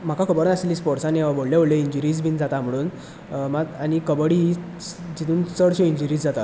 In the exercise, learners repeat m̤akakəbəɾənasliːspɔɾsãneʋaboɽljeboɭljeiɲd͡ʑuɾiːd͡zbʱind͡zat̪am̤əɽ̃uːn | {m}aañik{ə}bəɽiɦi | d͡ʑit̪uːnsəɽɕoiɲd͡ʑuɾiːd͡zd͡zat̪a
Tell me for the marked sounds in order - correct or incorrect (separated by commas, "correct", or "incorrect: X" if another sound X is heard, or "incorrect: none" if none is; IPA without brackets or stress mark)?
correct, correct